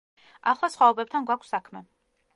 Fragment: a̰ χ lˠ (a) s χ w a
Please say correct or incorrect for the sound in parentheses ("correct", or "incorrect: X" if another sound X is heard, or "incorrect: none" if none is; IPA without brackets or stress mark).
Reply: correct